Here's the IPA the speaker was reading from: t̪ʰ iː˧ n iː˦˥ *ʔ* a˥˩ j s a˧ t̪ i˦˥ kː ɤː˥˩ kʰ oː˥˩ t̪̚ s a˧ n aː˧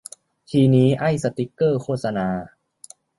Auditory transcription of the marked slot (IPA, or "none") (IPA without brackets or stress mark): ʔ